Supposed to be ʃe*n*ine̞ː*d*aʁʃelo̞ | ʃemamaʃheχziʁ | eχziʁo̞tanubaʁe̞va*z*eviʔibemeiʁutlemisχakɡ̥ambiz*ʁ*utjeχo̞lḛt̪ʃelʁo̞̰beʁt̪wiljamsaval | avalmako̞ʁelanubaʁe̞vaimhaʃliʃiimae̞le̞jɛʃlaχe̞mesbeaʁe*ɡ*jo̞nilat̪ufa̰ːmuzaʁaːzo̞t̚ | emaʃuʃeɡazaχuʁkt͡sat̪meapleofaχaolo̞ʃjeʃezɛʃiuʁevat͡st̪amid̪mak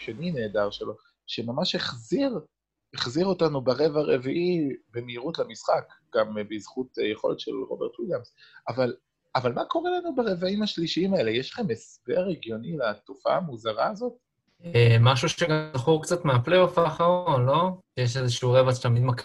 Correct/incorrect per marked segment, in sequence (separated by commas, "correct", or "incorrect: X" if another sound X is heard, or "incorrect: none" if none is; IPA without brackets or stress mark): correct, correct, incorrect: ʁ, incorrect: χ, correct